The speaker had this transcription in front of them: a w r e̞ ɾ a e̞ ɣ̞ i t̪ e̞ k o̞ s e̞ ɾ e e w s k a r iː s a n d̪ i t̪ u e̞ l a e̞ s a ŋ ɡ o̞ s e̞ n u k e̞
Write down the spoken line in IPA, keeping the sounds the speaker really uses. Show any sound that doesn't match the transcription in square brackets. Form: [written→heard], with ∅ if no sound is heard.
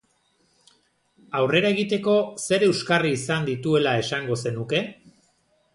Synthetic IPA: a w r e̞ ɾ a e̞ ɣ̞ i t̪ e̞ k o̞ s e̞ ɾ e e w s k a r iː s a n d̪ i t̪ u e̞ l a e̞ s a ŋ ɡ o̞ s e̞ n u k e̞